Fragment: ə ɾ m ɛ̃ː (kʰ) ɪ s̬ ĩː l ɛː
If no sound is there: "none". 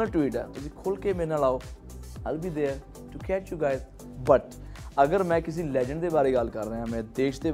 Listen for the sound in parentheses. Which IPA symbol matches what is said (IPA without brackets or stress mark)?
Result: k